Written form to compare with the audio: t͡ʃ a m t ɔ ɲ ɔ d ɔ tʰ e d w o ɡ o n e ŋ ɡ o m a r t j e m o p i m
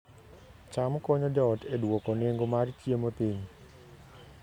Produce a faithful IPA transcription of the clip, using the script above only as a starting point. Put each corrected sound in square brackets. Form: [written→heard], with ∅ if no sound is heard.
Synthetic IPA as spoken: t͡ʃ a m [t→k] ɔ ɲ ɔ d ɔ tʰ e d w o [ɡ→k] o n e ŋ ɡ o m a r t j e m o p i [m→ɲ]